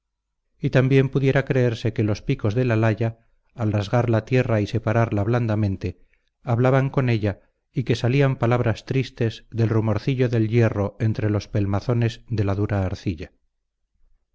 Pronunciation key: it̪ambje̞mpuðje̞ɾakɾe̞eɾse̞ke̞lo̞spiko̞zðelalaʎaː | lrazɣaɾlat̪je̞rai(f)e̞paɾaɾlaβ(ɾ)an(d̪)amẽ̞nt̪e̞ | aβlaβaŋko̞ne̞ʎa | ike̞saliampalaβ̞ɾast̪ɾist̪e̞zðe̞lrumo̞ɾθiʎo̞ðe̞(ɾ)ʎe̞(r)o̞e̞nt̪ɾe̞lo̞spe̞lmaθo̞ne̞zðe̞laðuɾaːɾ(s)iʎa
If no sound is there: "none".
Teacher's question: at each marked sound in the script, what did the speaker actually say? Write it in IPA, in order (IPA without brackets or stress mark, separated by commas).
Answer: s, l, d̪, l, r, θ